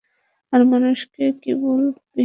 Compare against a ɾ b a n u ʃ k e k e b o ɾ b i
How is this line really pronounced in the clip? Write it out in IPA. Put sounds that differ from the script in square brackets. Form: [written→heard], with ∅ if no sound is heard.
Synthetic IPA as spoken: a ɾ [b→m] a n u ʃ k e k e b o [ɾ→l] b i